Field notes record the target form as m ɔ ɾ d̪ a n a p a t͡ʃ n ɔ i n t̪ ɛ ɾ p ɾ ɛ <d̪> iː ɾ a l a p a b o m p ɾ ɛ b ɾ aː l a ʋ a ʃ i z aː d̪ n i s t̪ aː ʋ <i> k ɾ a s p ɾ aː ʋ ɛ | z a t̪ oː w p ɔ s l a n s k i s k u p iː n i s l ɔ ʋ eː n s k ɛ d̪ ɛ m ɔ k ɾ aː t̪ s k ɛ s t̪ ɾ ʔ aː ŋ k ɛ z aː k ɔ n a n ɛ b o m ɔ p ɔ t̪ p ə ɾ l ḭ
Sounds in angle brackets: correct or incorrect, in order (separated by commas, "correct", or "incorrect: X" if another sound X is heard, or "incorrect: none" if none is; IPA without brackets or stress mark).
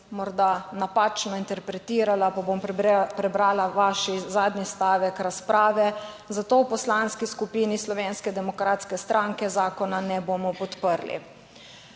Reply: incorrect: t̪, incorrect: ɛ